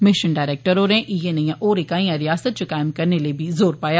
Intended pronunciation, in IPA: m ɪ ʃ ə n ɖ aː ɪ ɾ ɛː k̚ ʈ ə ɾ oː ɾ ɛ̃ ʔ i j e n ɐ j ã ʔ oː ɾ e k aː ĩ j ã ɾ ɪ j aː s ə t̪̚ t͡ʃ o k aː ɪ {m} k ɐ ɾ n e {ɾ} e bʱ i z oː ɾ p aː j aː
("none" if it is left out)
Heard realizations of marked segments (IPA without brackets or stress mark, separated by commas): m, l